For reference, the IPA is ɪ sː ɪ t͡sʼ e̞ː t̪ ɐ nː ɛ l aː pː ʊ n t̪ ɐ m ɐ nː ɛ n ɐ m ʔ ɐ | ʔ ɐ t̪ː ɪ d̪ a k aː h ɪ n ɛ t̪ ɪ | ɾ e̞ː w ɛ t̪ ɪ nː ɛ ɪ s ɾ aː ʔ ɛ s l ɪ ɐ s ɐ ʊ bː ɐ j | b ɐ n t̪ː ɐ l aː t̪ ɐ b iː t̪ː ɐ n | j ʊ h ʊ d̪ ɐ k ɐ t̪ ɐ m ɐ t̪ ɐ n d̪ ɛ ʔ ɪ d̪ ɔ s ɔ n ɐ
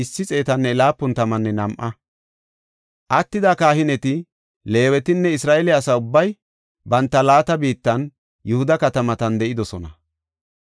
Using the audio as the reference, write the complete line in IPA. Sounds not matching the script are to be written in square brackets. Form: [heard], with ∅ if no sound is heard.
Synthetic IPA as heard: ɪ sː ɪ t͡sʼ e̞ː t̪ ɐ nː ɛ l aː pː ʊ n t̪ ɐ m ɐ nː ɛ n ɐ m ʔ ɐ | ʔ ɐ t̪ː ɪ d̪ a k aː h ɪ n ɛ t̪ ɪ | [l] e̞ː w ɛ t̪ ɪ nː ɛ ɪ s ɾ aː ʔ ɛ [∅] l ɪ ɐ s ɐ ʊ bː ɐ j | b ɐ n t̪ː ɐ l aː t̪ ɐ b iː t̪ː ɐ n | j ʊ h ʊ d̪ ɐ k ɐ t̪ ɐ m ɐ t̪ ɐ n d̪ ɛ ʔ ɪ d̪ ɔ s ɔ n ɐ